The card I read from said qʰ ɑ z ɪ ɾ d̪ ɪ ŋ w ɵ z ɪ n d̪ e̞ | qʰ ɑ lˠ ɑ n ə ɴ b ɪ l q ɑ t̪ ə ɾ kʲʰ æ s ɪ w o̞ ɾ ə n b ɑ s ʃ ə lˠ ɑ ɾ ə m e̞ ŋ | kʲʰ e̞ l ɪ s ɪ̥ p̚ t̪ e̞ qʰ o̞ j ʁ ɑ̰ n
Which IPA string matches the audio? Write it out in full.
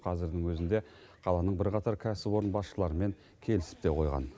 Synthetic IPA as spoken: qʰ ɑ z ɪ ɾ d̪ ɪ ŋ w ɵ z ɪ n d̪ e̞ | qʰ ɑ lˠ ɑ n ə ɴ b ɪ ɾ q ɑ t̪ ɑ ɾ kʲʰ æ s ɪ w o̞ ɾ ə n b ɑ s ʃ ə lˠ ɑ ɾ ə m e̞ ŋ | kʲʰ e̞ l ɪ s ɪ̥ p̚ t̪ e̞ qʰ o̞ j ʁ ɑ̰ n